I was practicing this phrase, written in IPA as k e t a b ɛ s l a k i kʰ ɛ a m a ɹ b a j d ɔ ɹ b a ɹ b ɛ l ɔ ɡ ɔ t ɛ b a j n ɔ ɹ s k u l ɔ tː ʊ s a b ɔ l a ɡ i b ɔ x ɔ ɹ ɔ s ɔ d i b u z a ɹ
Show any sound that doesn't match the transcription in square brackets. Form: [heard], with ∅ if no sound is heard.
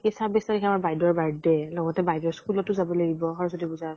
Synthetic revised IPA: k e [s] a b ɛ s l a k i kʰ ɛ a m a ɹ b a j d ɔ ɹ b a ɹ [d] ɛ l ɔ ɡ ɔ t ɛ b a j [d] ɔ ɹ s k u l ɔ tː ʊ [z] a b ɔ l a ɡ i b ɔ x ɔ ɹ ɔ s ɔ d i b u z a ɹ